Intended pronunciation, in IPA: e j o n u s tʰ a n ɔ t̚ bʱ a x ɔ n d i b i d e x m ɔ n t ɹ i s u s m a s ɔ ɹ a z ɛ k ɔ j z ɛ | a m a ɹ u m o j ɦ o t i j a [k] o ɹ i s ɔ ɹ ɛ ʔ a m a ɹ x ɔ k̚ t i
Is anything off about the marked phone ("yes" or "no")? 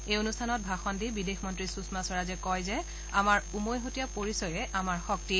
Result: yes